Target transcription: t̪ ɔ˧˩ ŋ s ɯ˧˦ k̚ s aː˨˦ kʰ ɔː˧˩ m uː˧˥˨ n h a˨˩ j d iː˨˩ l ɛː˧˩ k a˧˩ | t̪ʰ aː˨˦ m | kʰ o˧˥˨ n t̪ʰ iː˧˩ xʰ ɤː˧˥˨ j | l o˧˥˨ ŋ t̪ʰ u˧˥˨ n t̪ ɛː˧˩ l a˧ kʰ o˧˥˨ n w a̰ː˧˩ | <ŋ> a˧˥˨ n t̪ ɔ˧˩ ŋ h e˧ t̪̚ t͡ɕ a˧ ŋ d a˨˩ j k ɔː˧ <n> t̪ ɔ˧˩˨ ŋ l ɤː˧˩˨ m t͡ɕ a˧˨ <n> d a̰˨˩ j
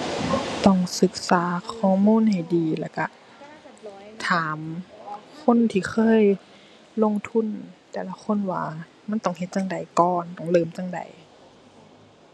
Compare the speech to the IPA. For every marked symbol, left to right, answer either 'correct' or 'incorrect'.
incorrect: m, correct, incorrect: ŋ

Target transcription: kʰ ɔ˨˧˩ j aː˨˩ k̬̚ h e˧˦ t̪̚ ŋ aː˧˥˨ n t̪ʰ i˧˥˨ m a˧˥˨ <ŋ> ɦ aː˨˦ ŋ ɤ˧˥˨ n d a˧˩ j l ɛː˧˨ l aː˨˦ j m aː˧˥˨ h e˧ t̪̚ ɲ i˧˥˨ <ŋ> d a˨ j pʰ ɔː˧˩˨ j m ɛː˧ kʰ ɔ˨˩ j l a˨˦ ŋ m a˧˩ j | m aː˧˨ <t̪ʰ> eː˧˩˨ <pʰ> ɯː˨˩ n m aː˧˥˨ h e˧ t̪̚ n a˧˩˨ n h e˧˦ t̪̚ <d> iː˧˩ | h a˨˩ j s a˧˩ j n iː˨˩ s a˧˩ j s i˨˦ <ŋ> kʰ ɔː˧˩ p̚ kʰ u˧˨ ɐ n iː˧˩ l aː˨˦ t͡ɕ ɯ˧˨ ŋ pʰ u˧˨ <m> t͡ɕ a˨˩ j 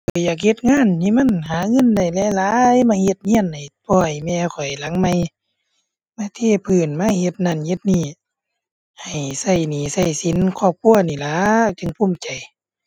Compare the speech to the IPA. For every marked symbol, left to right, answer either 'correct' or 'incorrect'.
incorrect: n, incorrect: n, correct, correct, incorrect: n, incorrect: n, correct

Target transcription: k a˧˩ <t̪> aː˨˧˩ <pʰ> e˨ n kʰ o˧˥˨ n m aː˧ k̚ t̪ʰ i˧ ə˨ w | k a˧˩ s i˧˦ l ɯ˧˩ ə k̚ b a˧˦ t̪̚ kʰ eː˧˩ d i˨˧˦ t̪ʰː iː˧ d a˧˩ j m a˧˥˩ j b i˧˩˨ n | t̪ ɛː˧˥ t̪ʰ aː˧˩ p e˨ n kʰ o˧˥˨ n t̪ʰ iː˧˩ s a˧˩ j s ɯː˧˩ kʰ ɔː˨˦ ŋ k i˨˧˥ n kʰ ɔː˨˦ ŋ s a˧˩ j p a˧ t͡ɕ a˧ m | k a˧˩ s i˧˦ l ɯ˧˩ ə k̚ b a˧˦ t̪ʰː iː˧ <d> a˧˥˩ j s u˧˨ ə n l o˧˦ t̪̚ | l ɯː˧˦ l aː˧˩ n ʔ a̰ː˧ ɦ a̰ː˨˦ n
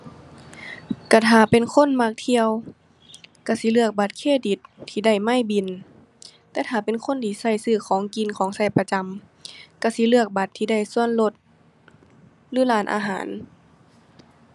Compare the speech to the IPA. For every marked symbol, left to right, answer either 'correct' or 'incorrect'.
incorrect: t̪ʰ, incorrect: p, correct

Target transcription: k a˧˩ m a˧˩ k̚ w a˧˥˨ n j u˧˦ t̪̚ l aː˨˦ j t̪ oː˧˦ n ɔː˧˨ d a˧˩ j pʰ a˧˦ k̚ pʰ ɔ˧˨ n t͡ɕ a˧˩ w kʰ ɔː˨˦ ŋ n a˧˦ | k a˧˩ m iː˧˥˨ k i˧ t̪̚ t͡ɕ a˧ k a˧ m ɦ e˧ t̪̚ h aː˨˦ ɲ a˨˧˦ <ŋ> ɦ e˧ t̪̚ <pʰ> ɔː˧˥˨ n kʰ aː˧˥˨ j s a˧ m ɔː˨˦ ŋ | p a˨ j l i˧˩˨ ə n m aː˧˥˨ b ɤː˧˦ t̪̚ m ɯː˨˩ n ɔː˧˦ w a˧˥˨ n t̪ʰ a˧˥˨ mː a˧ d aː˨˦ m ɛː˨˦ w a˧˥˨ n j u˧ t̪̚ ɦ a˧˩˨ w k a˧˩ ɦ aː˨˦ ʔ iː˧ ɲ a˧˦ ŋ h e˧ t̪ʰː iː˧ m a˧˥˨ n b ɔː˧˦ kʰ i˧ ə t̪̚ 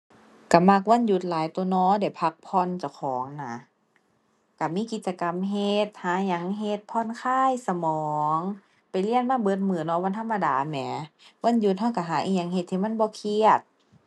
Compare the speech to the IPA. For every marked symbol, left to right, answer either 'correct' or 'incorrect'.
correct, correct

